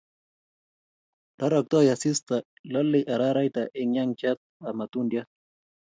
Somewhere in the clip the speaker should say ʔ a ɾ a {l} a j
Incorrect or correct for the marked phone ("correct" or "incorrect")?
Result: incorrect